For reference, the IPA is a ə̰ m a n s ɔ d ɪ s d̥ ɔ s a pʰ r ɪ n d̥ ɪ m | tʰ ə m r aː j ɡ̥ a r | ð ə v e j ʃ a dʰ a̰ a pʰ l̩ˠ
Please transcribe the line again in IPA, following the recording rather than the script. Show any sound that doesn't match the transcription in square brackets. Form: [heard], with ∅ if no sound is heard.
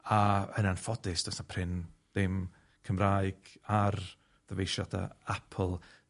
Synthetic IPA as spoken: a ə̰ [n] a n [f] ɔ d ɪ s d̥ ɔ s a pʰ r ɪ n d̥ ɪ m | [kʰ] ə m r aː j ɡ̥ a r | ð ə v e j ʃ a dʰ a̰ a pʰ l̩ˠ